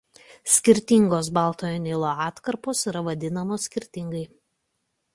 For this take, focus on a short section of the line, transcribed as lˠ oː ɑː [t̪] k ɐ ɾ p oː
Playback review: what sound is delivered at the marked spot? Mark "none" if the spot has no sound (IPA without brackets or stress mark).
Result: t̪